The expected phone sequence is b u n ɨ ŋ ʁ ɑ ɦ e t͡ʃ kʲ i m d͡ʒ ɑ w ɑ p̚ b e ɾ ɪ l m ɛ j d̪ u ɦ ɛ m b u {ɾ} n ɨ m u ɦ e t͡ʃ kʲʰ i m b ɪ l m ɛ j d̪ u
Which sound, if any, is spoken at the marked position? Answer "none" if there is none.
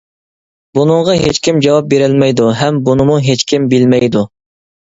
none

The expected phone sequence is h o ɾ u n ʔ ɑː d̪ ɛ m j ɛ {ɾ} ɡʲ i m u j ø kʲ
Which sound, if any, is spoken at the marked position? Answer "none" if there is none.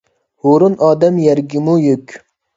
ɾ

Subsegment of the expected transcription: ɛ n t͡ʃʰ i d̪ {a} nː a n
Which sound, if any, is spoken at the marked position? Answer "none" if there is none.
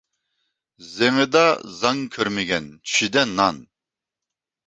ɛ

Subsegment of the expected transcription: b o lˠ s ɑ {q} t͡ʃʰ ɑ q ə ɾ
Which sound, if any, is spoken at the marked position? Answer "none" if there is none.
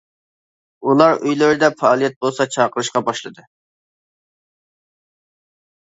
none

